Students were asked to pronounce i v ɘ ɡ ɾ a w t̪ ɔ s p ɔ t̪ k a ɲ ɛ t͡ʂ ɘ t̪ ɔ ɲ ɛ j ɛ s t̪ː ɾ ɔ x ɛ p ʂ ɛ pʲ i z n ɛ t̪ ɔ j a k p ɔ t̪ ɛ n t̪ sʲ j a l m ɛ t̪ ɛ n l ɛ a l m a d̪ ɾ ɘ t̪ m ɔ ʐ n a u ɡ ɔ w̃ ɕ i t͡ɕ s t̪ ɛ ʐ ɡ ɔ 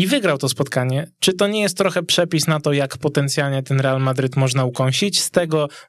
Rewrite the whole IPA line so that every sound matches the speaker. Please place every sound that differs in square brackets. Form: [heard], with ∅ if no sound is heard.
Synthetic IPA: i v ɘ ɡ ɾ a w t̪ ɔ s p ɔ t̪ k a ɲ ɛ t͡ʂ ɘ t̪ ɔ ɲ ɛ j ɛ s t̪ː ɾ ɔ x ɛ p ʂ ɛ pʲ i [s] n [a] t̪ ɔ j a k p ɔ t̪ ɛ n t̪ sʲ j a l [ɲ] ɛ t̪ ɛ n [ɾ] ɛ a l m a d̪ ɾ ɘ t̪ m ɔ ʐ n a u [k] ɔ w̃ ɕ i t͡ɕ s t̪ ɛ [∅] ɡ ɔ